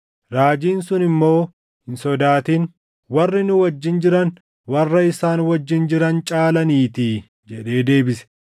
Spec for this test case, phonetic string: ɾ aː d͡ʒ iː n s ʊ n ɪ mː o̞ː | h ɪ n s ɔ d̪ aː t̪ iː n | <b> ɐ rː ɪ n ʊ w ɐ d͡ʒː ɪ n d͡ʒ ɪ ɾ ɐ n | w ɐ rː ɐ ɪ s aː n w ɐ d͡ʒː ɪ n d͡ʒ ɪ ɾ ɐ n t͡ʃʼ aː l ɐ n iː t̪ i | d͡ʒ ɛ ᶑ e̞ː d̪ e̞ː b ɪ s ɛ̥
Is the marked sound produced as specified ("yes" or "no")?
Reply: no